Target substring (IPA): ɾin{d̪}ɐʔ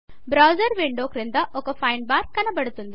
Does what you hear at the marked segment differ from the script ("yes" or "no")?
no